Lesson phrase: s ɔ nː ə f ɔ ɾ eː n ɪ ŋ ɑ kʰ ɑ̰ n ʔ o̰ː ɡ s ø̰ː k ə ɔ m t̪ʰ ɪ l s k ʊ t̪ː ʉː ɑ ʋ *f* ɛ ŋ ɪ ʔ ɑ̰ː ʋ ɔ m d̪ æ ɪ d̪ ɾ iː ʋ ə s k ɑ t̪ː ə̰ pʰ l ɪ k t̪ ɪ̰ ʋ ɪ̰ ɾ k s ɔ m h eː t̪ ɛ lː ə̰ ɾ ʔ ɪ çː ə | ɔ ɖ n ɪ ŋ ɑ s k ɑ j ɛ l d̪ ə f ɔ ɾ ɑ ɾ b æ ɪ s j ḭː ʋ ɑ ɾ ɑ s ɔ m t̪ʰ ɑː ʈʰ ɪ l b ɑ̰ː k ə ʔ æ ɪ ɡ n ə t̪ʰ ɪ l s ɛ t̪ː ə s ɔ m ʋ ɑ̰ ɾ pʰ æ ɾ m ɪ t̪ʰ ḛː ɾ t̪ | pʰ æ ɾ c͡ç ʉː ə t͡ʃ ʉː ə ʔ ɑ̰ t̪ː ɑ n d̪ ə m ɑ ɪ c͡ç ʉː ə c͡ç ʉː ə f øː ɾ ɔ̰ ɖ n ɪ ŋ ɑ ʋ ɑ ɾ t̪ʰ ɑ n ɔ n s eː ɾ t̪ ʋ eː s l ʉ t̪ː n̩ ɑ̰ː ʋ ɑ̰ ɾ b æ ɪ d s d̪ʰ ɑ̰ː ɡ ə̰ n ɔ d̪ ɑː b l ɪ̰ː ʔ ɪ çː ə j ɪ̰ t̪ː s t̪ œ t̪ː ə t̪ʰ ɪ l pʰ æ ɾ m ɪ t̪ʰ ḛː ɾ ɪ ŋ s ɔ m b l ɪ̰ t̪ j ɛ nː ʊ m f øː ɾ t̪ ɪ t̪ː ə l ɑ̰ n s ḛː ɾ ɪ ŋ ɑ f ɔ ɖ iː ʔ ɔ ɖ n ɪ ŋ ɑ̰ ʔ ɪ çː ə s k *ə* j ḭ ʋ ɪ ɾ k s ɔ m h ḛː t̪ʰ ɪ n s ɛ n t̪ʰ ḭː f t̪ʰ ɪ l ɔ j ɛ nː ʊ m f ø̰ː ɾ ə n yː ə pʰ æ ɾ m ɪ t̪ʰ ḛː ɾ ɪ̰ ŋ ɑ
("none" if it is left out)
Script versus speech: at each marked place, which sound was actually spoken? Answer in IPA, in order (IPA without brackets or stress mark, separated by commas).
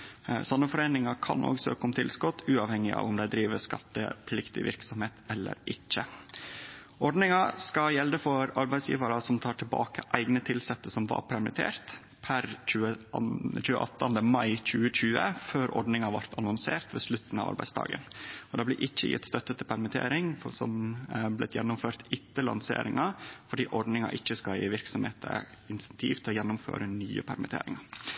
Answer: h, ɑ